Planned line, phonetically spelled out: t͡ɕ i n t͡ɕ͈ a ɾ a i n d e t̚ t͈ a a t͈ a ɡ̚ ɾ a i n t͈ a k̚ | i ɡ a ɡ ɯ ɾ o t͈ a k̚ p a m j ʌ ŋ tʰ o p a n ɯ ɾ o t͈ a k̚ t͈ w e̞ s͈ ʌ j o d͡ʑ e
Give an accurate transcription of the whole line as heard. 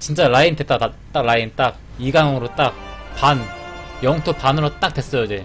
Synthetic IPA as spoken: t͡ɕ i n t͡ɕ͈ a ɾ a i n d e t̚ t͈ a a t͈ a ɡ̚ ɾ a i n t͈ a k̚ | i ɡ a ŋ ɯ ɾ o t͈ a k̚ p a n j ʌ ŋ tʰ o p a n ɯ ɾ o t͈ a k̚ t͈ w e̞ s͈ ʌ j o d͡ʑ e